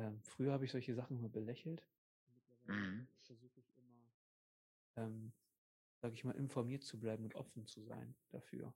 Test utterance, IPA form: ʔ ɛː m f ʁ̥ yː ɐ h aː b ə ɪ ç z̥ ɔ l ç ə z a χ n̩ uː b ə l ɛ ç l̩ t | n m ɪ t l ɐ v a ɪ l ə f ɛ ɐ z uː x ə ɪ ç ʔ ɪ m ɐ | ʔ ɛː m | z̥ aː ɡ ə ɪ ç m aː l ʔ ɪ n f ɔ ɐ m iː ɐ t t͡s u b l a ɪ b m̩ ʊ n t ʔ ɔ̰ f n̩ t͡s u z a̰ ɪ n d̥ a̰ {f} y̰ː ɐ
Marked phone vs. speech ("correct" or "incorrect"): correct